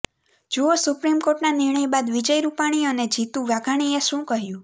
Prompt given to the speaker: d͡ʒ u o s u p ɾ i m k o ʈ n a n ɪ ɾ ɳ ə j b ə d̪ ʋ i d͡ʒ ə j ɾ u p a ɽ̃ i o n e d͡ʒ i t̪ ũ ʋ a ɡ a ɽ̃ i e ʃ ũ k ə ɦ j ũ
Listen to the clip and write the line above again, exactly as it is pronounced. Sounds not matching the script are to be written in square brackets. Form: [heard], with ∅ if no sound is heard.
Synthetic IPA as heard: d͡ʒ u o s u p ɾ i m k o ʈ n a n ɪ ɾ ɳ ə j b [a] d̪ ʋ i d͡ʒ ə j ɾ u p a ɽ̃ i o n e d͡ʒ i t̪ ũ ʋ a ɡ a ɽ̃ i e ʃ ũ k ə ɦ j ũ